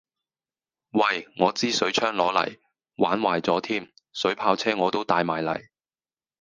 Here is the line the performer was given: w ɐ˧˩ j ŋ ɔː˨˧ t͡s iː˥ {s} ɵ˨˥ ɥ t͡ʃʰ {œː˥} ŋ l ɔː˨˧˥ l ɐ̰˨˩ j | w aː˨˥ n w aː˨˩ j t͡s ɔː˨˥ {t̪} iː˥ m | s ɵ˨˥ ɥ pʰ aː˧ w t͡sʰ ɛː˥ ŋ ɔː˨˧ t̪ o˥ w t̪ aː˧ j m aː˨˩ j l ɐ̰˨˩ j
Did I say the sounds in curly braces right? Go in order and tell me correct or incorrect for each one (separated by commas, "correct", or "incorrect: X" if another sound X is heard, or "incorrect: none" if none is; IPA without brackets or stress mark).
correct, correct, incorrect: t̪ʰ